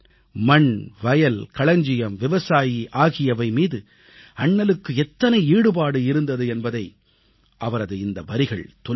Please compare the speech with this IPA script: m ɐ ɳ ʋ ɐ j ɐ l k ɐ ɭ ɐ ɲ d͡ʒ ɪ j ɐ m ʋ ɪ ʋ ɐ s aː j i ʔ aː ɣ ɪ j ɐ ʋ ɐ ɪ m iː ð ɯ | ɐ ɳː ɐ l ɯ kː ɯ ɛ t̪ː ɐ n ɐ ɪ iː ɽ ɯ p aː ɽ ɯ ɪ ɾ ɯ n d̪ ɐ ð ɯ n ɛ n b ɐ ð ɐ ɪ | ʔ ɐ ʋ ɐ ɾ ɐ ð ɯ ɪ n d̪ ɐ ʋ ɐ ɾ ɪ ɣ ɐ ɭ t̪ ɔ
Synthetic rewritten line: m ɐ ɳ ʋ ɐ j ɐ l k ɐ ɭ ɐ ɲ d͡ʒ ɪ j ɐ m ʋ ɪ ʋ ɐ s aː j i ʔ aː ɣ ɪ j ɐ ʋ ɐ ɪ m iː ð ɯ | ɐ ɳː ɐ l ɯ kː ɯ ɛ t̪ː ɐ n ɐ ɪ iː ɽ ɯ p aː ɽ ɯ ɪ ɾ ɯ n d̪ ɐ ð ɯ ɛ n b ɐ ð ɐ ɪ | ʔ ɐ ʋ ɐ ɾ ɐ ð ɯ ɪ n d̪ ɐ ʋ ɐ ɾ ɪ ɣ ɐ ɭ t̪ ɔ